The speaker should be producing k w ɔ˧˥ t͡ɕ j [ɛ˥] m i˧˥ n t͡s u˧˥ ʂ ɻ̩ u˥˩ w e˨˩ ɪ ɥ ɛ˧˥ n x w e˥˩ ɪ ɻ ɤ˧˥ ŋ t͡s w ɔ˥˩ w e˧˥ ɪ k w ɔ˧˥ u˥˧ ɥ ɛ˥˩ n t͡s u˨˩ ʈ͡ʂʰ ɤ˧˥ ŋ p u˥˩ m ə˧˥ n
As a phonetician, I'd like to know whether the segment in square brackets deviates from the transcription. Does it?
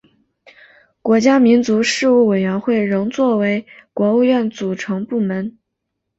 yes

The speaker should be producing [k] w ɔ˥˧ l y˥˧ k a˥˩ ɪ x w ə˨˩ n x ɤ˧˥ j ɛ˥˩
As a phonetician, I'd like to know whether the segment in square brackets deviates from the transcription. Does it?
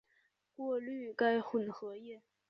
no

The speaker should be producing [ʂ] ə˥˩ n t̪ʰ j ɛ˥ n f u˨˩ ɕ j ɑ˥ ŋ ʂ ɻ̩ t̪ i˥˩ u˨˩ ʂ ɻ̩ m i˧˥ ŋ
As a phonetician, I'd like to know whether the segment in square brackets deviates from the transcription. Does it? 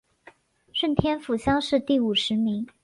no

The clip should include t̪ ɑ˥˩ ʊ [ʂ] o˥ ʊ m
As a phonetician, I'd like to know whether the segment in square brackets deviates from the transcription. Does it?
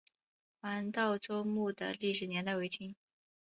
yes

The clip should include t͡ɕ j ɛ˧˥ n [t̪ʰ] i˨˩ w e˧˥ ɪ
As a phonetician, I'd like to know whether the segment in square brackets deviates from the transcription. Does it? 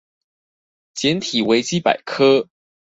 no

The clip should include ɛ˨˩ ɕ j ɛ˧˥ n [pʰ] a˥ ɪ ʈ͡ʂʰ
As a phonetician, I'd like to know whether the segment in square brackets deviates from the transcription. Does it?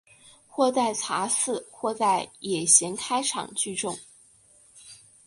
yes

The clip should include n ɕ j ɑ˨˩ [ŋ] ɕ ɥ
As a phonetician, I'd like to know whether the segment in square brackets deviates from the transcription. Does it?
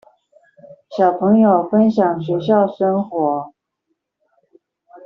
no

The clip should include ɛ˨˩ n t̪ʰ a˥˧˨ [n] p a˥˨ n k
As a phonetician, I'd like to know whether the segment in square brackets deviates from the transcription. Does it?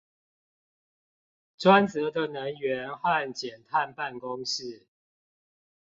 no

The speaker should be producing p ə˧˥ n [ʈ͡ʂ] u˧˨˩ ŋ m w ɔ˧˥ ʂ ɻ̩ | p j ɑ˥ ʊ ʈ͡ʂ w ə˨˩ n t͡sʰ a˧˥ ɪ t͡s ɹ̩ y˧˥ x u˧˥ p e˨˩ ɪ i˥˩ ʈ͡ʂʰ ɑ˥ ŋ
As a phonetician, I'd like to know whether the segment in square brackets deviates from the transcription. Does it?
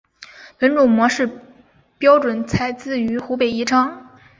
no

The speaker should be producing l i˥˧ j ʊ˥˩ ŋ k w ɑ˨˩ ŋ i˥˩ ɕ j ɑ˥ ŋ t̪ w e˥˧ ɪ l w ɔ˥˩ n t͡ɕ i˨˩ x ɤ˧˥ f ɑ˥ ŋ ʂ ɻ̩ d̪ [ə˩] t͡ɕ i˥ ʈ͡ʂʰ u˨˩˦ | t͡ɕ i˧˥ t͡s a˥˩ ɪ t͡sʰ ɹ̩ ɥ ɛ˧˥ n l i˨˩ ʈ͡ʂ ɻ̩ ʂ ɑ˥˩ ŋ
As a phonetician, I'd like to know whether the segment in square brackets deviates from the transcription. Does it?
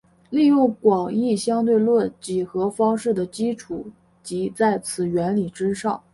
no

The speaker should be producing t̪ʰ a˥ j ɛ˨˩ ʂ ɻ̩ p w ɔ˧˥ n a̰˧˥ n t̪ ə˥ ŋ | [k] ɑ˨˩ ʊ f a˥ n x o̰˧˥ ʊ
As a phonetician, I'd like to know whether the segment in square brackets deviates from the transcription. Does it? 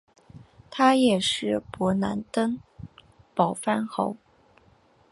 yes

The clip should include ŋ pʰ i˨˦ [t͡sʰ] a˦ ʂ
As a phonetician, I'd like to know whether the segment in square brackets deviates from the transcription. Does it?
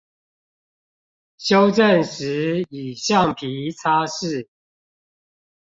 no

